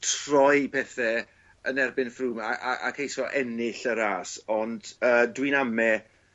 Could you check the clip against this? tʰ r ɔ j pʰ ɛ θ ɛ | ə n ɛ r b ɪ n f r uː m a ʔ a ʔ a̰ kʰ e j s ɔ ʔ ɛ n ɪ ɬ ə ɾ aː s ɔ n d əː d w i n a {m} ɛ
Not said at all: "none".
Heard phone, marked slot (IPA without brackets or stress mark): m